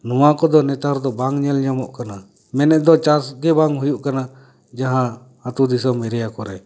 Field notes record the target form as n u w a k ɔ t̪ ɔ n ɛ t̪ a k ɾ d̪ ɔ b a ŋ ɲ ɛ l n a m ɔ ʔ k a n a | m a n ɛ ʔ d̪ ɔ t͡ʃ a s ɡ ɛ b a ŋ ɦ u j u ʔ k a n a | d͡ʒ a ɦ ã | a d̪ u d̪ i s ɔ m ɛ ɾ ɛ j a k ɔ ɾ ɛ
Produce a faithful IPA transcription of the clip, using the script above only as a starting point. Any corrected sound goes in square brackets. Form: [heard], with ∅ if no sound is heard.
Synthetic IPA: n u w a k ɔ [d̪] ɔ n ɛ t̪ a [∅] ɾ d̪ ɔ b a ŋ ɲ ɛ l [ɲ] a m ɔ ʔ k a n a | m [ɛ] n ɛ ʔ d̪ ɔ t͡ʃ a s ɡ ɛ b a ŋ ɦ u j u ʔ k a n a | d͡ʒ a ɦ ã | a [t̪] u d̪ i s ɔ m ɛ ɾ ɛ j a k ɔ ɾ ɛ